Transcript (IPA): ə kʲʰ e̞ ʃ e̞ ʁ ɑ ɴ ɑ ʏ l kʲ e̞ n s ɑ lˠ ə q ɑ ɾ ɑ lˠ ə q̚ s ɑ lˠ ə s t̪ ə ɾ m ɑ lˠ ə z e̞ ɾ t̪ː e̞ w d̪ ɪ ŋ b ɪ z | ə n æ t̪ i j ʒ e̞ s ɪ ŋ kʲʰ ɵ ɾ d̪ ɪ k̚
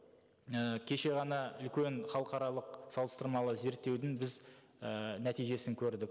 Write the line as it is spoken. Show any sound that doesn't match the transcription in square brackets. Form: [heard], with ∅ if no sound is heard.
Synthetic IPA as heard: ə kʲʰ e̞ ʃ e̞ ʁ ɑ [n] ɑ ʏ l kʲ e̞ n [χ] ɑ lˠ ə q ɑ ɾ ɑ lˠ ə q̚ s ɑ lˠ ə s t̪ ə ɾ m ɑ lˠ ə z e̞ ɾ t̪ː e̞ w d̪ ɪ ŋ b ɪ z | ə n æ t̪ i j ʒ e̞ s ɪ ŋ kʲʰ ɵ ɾ d̪ ɪ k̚